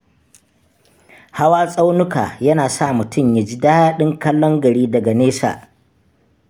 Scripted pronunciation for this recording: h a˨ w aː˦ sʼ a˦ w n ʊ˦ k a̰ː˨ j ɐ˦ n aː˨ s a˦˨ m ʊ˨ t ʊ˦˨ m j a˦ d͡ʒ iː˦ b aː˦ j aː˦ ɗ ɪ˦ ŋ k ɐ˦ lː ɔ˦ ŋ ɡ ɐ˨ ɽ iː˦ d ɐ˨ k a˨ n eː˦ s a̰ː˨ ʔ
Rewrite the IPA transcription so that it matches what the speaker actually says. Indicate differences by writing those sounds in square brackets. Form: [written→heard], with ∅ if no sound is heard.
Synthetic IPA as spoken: h [a˨→a˦] w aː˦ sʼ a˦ w n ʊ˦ k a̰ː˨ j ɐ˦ n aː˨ s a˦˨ m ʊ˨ t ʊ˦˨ m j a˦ d͡ʒ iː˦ [b→d] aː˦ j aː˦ ɗ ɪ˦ ŋ k ɐ˦ lː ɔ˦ ŋ ɡ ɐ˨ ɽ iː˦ d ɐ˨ [k→ɡ] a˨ n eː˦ s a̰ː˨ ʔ